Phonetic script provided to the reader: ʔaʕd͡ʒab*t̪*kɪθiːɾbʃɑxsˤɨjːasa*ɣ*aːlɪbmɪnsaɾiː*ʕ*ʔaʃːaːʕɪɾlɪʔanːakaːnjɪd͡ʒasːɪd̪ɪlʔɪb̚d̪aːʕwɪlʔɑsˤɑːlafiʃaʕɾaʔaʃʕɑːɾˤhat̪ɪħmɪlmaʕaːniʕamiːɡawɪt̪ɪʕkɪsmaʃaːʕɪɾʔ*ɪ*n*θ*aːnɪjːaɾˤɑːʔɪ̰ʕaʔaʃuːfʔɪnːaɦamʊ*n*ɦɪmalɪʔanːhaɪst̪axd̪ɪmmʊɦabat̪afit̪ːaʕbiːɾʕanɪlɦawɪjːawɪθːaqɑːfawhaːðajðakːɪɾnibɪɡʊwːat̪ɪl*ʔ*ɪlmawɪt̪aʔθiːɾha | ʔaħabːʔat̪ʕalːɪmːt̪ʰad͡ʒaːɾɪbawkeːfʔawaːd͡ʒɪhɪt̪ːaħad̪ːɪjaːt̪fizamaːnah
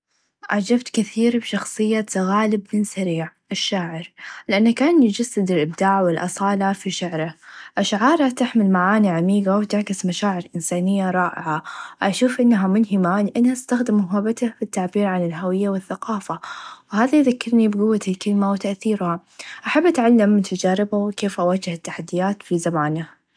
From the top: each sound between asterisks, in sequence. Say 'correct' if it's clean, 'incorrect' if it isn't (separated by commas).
correct, correct, correct, correct, incorrect, correct, incorrect